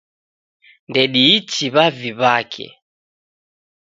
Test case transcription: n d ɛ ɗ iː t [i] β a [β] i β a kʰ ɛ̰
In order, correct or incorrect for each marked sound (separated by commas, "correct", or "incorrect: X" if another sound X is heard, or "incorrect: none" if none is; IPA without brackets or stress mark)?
correct, incorrect: v